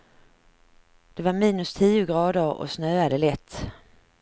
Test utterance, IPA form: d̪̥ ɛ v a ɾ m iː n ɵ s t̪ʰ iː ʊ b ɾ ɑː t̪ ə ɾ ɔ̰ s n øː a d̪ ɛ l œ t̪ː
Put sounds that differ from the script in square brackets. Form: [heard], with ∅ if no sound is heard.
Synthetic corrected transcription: d̪̥ ɛ v a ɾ m iː n ɵ s t̪ʰ iː ʊ [ɡ] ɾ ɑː [d̪] ə ɾ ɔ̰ s n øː a d̪ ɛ l [ɛ] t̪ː